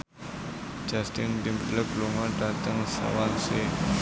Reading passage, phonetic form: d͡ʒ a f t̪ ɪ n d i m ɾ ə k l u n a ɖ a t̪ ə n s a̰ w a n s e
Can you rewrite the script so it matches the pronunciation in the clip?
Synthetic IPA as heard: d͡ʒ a s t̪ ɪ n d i m l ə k l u ŋ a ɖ a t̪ ə ŋ s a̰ w a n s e